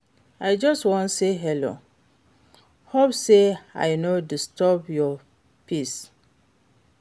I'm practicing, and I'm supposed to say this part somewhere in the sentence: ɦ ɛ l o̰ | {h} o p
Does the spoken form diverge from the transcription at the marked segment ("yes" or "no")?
no